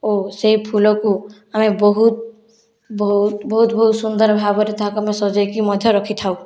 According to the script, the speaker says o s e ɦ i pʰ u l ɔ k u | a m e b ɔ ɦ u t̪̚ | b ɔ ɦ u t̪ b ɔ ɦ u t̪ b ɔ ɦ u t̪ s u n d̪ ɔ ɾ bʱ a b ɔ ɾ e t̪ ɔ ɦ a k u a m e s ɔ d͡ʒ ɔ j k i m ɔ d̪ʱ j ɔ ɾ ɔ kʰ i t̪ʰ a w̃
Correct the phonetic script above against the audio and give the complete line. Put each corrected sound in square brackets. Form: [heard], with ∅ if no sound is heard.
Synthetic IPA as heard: o s e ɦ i pʰ u l ɔ k u | a m e b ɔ ɦ u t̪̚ | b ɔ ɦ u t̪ b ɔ ɦ u t̪ b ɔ ɦ u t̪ s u n d̪ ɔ ɾ bʱ a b ɔ ɾ e t̪ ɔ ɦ a k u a m e s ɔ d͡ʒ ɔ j k i m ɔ d̪ʱ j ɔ ɾ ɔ kʰ i t̪ʰ a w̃